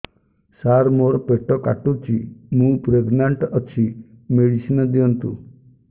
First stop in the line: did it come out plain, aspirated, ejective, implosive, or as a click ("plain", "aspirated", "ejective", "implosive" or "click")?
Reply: plain